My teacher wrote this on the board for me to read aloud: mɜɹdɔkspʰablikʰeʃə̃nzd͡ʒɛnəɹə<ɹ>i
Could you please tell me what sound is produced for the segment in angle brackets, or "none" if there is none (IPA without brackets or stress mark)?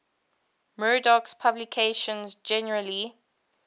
l